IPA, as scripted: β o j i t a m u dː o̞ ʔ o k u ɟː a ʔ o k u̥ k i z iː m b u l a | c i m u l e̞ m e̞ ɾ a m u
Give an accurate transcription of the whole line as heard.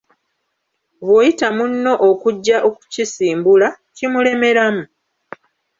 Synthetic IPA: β o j i t a m u nː o̞ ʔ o k u ɟː a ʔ o k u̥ c i s iː m b u l a | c i m u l e̞ m e̞ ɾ a m u